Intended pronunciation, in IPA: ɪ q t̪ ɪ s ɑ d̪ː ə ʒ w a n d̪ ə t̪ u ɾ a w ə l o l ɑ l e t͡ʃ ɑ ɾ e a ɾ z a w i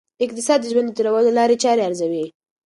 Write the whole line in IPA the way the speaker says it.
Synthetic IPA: ɪ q t̪ ɪ s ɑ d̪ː ə ʒ w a n d̪ ə t̪ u ɾ a w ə l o l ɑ ɾ e t͡ʃ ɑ ɾ e a ɾ z a w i